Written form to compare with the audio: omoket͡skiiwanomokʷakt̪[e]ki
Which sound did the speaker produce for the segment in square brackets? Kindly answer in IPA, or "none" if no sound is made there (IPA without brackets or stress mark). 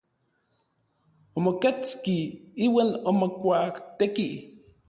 e